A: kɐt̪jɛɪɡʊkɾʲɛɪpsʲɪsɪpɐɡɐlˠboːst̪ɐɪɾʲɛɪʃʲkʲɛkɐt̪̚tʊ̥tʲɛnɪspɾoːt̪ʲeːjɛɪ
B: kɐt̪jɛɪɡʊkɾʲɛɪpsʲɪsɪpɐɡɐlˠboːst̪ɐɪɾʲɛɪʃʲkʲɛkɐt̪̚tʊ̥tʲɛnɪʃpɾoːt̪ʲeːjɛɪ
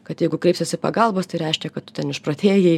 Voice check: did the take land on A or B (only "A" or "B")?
B